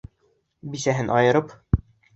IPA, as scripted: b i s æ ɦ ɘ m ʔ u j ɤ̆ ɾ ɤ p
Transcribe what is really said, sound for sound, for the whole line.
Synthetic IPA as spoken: b i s æ ɦ ɘ n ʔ ɒ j ɤ̆ ɾ ɤ p